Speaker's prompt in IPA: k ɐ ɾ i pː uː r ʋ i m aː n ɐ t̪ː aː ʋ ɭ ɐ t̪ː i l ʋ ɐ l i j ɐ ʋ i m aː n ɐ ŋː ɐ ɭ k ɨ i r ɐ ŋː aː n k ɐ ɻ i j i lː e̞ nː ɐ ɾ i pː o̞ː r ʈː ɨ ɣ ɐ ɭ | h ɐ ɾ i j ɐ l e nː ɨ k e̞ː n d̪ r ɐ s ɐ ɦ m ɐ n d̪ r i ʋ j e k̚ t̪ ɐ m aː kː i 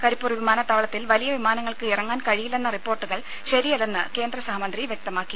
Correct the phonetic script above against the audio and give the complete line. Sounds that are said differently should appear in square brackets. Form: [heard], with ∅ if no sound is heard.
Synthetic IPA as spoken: k ɐ ɾ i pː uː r ʋ i m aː n ɐ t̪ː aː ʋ ɭ ɐ t̪ː i l ʋ ɐ l i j ɐ ʋ i m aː n ɐ ŋː ɐ ɭ k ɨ i r ɐ ŋː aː n k ɐ ɻ i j i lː e̞ nː ɐ [r] i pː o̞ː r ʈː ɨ ɣ ɐ ɭ | [ɕ] ɐ ɾ i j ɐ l e nː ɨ k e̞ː n d̪ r ɐ s ɐ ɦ m ɐ n d̪ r i ʋ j e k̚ t̪ ɐ m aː kː i